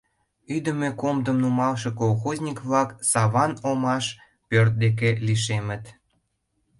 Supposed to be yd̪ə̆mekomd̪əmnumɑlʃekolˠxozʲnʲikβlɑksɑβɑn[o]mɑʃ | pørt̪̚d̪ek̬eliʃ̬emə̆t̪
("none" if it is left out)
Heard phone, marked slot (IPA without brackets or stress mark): o